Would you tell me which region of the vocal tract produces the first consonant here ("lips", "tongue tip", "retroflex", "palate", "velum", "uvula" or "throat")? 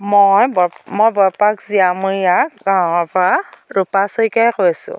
lips